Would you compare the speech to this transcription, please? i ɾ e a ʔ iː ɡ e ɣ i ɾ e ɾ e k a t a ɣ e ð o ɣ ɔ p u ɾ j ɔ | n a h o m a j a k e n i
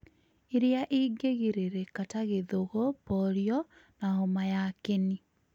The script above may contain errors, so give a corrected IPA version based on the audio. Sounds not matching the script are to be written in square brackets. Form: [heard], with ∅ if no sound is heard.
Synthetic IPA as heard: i ɾ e a ʔ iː ɡ e ɣ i ɾ e ɾ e k a t a ɣ e ð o ɣ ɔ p [ɔ] ɾ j ɔ | n a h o m a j a k e n i

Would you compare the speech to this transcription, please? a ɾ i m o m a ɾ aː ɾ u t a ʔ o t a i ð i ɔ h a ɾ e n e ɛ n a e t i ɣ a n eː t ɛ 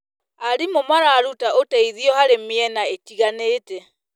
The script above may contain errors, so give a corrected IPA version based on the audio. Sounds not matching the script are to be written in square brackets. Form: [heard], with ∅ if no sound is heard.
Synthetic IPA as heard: a ɾ i m o m a ɾ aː ɾ u t a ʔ o t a i ð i ɔ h a ɾ e [m] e ɛ n a e t i ɣ a n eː t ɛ

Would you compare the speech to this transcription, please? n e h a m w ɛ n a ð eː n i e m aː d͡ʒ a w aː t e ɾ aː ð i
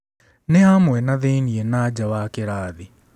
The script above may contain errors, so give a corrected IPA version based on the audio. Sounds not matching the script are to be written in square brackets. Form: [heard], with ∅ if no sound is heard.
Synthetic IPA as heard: n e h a m w ɛ n a ð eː n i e [n] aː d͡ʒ a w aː [k] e ɾ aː ð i

